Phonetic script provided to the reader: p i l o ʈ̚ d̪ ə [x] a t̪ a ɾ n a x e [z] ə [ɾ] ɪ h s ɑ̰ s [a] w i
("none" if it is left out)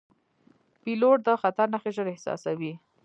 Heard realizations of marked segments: x, ʒ, ɾ, a

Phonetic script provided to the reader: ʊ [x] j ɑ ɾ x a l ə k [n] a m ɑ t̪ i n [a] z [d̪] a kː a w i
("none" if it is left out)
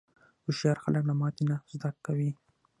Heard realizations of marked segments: ʃ, n, a, d̪

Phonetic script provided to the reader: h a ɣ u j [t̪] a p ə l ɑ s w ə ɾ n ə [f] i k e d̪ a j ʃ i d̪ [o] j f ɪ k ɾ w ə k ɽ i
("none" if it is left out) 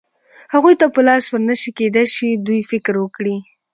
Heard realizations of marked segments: t̪, ʃ, u

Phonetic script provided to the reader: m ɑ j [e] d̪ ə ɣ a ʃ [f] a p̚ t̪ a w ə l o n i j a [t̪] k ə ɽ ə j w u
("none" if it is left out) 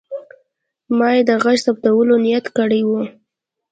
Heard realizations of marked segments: e, s, t̪

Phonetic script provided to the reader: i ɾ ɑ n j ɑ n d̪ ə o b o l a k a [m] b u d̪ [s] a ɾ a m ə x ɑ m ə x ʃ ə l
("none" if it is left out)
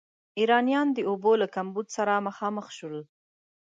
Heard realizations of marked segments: m, s

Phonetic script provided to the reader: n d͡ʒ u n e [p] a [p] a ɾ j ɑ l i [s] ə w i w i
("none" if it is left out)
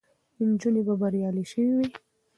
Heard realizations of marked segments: b, b, ʃ

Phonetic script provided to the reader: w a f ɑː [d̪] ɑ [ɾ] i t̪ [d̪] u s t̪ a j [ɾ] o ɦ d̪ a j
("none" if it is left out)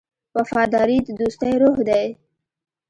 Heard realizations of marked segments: d̪, ɾ, d̪, ɾ

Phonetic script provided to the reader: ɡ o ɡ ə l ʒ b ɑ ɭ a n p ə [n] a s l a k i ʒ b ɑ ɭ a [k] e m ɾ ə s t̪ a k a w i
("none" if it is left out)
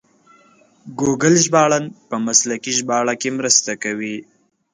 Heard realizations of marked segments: m, k

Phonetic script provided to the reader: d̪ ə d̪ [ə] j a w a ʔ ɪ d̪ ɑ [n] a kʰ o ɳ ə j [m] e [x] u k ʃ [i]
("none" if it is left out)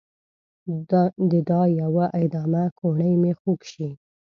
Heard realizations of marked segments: ɑ, m, m, x, i

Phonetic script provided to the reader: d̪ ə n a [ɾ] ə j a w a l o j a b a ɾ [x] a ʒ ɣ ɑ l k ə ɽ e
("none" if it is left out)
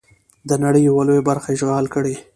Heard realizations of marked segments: ɽ, x

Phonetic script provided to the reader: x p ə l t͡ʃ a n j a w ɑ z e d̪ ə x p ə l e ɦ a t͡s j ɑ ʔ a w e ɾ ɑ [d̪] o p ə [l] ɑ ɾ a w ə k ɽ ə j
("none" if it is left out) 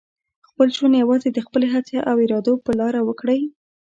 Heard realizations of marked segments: d̪, l

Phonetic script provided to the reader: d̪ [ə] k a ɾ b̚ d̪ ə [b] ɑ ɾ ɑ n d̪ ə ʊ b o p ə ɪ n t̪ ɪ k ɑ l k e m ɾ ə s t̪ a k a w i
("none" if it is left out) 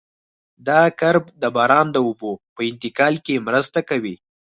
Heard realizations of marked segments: ɑ, b

